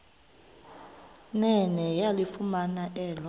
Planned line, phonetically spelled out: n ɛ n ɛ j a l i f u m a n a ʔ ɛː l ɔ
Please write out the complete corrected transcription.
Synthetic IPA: n ɛ n ɛ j a l i f u m a n a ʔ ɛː l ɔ